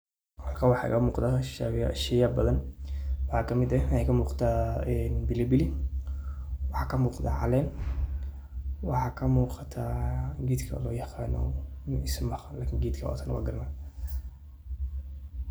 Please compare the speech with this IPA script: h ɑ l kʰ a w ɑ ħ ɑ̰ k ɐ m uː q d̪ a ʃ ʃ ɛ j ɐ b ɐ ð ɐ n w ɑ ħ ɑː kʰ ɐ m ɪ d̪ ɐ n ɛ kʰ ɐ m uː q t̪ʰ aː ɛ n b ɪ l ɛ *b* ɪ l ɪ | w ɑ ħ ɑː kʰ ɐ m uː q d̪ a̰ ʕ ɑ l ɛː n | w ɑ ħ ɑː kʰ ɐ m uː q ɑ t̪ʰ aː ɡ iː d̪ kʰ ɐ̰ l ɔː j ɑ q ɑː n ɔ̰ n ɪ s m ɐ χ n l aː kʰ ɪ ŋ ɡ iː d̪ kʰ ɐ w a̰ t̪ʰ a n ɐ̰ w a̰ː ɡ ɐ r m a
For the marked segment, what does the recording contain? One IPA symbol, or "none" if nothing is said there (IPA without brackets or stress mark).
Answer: b